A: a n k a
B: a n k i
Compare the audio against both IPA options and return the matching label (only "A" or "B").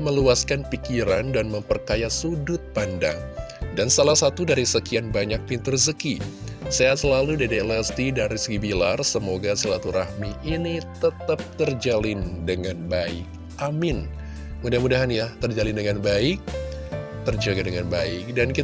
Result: B